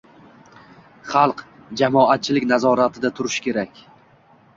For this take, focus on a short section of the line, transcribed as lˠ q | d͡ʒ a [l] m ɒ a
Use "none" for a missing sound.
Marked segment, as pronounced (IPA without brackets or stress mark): none